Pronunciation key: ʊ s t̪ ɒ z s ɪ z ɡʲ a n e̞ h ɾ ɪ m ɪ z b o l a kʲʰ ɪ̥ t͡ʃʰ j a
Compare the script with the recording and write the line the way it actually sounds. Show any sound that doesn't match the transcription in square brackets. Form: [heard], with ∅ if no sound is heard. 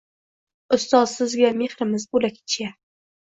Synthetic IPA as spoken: ʊ s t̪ ɒ z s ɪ z ɡʲ a [m] e̞ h ɾ ɪ m ɪ z b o l a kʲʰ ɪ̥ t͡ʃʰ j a